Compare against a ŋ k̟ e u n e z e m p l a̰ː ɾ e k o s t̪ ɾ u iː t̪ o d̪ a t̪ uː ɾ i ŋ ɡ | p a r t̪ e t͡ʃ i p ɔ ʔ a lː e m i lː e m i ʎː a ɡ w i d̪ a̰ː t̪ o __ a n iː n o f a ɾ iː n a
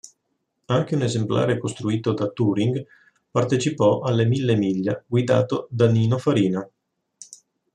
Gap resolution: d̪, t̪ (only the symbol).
d̪